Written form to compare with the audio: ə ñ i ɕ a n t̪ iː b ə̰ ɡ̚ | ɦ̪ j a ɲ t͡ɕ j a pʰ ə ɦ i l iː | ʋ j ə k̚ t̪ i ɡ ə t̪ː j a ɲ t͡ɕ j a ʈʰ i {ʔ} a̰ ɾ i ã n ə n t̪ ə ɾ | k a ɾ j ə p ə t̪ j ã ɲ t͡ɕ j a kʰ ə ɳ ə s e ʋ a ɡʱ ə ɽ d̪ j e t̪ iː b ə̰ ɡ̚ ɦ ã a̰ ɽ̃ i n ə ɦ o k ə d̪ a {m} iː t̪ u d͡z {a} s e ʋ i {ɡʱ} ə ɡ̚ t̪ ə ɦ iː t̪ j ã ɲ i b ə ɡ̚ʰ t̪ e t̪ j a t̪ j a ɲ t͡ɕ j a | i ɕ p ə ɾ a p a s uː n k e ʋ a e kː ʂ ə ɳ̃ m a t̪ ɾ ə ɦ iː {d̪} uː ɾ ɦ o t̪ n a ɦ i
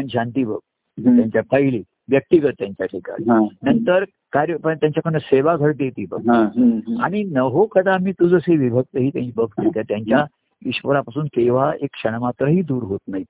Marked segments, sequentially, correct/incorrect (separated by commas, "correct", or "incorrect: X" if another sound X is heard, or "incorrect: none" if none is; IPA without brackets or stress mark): incorrect: k, correct, incorrect: ə, incorrect: bʱ, correct